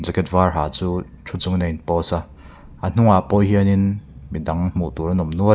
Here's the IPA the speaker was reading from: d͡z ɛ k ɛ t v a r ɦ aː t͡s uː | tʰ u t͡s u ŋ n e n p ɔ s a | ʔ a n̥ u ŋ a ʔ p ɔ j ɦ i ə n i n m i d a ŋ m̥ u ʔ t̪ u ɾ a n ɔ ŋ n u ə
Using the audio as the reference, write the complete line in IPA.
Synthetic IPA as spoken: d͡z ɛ k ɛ t v a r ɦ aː t͡s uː | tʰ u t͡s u ŋ n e n p ɔ s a | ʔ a n̥ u ŋ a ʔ p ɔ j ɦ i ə n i n m i d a ŋ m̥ u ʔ t̪ u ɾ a n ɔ m n u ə

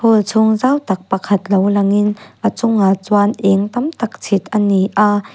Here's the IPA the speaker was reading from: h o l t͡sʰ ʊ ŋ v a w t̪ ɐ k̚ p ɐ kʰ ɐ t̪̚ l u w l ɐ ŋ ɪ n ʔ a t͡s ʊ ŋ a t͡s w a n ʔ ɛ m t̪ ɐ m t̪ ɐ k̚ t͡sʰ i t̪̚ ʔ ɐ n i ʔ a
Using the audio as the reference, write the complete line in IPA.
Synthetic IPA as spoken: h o l t͡sʰ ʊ ŋ z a w t̪ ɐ k̚ p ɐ kʰ ɐ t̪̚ l o w l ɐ ŋ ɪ n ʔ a t͡s ʊ ŋ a t͡s w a n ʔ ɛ ŋ t̪ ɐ m t̪ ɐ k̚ t͡sʰ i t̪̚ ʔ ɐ n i ʔ a

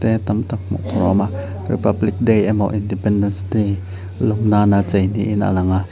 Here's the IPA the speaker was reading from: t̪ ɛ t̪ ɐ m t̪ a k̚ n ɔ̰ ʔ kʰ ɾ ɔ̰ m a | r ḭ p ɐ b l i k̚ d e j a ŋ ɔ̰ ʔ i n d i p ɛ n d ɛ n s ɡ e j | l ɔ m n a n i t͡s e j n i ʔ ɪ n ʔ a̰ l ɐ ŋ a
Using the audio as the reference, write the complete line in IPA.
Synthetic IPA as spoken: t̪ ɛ t̪ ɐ m t̪ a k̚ m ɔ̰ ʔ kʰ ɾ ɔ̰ m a | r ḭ p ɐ b l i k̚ d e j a m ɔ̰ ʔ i n d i p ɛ n d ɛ n s d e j | l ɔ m n a n a t͡s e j n i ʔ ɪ n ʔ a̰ l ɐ ŋ a

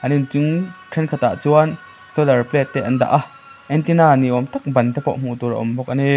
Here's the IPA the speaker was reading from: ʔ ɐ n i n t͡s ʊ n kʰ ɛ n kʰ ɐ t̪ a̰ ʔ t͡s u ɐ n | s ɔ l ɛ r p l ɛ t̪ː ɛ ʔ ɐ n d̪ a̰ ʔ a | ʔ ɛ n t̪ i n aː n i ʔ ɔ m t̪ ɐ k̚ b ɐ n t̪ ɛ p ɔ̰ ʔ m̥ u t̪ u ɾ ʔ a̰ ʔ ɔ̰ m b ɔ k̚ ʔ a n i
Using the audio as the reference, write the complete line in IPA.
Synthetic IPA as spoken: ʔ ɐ n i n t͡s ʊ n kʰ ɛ n kʰ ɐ t̪ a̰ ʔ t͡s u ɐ n | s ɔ l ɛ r p l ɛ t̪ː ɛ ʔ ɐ n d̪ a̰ ʔ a | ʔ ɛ n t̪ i n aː n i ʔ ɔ m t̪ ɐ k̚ b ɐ n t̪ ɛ p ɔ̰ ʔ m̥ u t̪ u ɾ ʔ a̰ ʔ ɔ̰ m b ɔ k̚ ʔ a n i

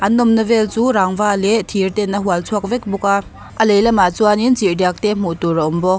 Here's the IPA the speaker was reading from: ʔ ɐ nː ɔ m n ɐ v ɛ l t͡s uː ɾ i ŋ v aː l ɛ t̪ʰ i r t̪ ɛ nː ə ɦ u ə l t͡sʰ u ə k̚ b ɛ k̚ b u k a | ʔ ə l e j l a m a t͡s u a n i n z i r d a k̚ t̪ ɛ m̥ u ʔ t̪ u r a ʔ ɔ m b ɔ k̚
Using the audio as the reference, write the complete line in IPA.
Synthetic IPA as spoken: ʔ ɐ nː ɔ m n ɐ v ɛ l t͡s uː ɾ a ŋ v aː l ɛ t̪ʰ i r t̪ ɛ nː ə ɦ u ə l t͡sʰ u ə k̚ v ɛ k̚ b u k a | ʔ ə l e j l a m a t͡s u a n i n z i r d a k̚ t̪ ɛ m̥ u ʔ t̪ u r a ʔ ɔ m b ɔ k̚

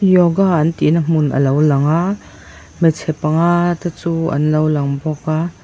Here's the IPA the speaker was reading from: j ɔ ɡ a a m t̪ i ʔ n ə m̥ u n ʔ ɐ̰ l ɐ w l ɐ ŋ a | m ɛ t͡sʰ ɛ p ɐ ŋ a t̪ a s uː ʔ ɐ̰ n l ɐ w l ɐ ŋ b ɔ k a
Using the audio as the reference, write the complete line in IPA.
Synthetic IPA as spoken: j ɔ ɡ a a n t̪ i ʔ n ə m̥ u n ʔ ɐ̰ l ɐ w l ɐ ŋ a | m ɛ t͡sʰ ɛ p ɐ ŋ a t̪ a t͡s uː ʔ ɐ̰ n l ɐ w l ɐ ŋ b ɔ k a

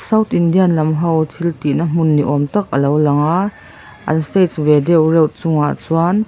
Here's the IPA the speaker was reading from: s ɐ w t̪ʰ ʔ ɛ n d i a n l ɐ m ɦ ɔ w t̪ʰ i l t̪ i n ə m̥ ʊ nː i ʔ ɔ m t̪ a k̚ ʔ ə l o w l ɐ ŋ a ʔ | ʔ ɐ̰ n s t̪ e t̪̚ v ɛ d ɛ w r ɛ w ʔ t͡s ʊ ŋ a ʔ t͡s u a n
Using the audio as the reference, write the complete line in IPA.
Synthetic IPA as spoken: s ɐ w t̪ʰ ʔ i n d i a n l ɐ m ɦ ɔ w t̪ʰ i l t̪ i n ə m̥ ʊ nː i ʔ ɔ m t̪ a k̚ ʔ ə l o w l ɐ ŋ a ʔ | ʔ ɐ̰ n s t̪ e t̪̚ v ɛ d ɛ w r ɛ w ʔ t͡s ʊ ŋ a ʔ t͡s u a n

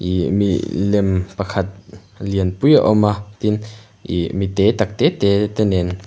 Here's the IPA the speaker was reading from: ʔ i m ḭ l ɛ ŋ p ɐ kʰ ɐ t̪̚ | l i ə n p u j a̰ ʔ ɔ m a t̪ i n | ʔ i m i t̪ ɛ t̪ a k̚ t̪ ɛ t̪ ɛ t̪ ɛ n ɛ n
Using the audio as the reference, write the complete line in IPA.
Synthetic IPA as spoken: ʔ i m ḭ l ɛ m p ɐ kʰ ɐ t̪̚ | l i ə n p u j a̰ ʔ ɔ m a t̪ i n | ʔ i m i t̪ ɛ t̪ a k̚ t̪ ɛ t̪ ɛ t̪ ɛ n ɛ n

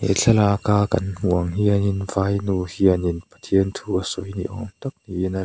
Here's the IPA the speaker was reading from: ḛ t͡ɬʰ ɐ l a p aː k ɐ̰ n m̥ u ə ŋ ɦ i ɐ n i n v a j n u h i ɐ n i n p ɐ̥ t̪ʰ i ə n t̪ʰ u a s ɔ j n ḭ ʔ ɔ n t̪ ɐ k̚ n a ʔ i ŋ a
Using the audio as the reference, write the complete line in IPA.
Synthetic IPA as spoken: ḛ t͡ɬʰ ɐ l a k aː k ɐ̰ n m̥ u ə ŋ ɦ i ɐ n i n v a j n u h i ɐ n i n p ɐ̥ t̪ʰ i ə n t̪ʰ u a s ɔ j n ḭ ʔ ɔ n t̪ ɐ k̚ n i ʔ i n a

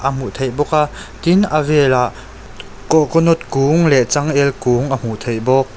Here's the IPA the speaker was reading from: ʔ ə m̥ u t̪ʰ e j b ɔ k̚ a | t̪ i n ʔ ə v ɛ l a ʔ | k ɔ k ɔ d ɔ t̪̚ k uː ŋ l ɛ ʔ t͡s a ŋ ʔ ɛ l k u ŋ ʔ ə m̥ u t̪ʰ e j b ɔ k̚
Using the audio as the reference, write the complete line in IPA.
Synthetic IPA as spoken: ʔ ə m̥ u t̪ʰ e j b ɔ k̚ a | t̪ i n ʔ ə v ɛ l a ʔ | k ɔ k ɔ n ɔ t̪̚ k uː ŋ l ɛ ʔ t͡s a ŋ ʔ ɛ l k u ŋ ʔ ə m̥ u t̪ʰ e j b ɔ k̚

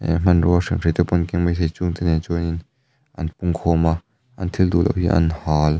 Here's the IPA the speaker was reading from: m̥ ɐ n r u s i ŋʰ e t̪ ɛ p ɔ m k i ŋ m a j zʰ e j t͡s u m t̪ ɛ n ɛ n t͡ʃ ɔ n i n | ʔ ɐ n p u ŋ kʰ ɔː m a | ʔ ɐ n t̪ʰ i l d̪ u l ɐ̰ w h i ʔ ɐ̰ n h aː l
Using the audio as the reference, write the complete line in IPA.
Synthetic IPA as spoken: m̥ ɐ n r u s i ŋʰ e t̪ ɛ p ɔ n k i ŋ m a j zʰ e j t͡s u ŋ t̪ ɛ n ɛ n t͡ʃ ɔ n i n | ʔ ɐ n p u ŋ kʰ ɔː m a | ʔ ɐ n t̪ʰ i l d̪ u l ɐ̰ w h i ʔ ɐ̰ n h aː l

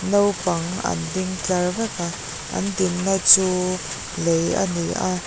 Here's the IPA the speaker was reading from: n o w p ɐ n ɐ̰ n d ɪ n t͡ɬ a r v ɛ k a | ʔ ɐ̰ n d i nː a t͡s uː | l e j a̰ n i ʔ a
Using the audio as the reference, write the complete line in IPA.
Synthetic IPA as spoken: n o w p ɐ ŋ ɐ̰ n d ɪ ŋ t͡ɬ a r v ɛ k a | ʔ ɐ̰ n d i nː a t͡s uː | l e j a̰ n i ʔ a

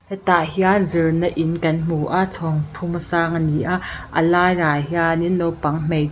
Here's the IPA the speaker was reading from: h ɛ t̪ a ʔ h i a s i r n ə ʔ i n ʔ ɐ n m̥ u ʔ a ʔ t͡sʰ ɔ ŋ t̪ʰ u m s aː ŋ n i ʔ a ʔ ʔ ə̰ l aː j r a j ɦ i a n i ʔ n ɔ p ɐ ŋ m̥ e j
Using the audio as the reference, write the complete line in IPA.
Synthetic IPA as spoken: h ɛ t̪ a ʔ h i a z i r n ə ʔ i n k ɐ n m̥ u ʔ a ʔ t͡sʰ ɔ ŋ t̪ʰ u m s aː ŋ n i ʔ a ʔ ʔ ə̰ l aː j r a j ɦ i a n i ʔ n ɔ p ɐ ŋ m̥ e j

